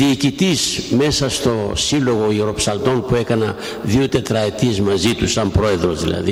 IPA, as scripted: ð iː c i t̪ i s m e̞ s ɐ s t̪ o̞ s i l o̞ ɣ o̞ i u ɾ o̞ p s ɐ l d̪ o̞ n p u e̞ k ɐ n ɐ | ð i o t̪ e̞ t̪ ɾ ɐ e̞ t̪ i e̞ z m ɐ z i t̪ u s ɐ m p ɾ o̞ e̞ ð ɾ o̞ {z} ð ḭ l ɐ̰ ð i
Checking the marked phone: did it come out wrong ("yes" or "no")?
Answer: no